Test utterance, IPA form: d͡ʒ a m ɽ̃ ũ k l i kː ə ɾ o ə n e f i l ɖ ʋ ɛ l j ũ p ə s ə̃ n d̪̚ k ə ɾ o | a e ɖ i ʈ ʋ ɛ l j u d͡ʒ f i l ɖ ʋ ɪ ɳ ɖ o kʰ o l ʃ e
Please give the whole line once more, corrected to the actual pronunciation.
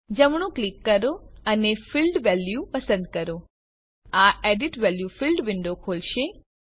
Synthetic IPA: d͡ʒ ə m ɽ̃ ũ k l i kː ə ɾ o ə n e f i l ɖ ʋ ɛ l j u p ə s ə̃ n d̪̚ k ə ɾ o | a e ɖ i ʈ ʋ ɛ l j u f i l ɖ ʋ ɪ ɳ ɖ o kʰ o l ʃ e